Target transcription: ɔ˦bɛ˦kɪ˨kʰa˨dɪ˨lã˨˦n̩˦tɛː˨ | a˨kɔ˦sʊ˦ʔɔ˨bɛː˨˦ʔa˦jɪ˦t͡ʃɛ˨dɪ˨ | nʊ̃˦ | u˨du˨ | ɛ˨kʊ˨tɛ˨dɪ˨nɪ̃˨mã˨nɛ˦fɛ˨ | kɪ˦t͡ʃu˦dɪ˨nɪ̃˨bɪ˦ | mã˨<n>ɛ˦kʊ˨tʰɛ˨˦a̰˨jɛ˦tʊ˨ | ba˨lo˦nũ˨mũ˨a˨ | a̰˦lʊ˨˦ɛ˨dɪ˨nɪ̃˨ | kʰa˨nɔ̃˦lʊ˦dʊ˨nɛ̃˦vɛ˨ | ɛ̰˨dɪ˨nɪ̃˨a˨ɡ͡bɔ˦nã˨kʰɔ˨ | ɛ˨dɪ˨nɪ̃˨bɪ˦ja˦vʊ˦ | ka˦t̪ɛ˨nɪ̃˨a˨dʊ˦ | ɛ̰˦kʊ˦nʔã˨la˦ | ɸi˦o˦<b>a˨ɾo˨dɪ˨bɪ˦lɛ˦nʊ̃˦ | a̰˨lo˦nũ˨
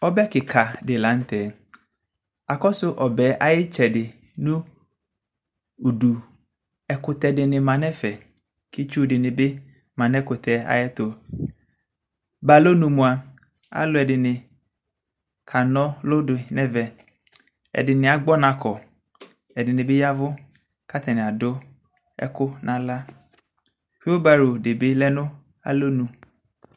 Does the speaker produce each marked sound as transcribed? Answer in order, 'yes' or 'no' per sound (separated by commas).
yes, yes